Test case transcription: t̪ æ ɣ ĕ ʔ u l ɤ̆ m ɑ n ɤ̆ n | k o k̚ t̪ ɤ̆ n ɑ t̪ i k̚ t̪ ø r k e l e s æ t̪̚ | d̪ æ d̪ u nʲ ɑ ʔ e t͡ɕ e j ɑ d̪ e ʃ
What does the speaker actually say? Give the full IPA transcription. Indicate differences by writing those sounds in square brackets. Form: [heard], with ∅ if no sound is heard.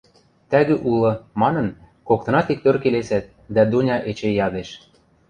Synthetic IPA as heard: t̪ æ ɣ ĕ ʔ u l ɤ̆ m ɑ n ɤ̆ n | k o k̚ t̪ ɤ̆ n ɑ t̪ i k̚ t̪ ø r k e l e s æ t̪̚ | d̪ æ d̪ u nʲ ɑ ʔ e t͡ɕ e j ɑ d̪ e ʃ